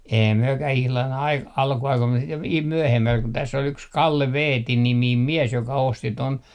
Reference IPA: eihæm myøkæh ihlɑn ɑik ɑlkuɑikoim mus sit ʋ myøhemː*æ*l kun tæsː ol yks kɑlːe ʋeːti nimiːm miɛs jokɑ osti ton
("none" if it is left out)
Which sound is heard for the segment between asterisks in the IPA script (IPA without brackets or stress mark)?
æ